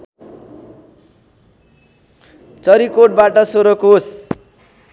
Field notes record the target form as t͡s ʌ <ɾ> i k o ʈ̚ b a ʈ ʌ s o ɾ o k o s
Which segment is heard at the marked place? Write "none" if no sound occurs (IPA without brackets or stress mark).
ɾ